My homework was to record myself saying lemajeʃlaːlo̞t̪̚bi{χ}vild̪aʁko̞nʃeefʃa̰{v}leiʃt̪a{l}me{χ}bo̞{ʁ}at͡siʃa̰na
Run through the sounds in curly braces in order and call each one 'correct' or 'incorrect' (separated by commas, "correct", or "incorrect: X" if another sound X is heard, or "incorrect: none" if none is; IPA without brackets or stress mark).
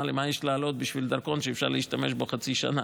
incorrect: ʃ, incorrect: ʁ, incorrect: none, incorrect: ʃ, incorrect: χ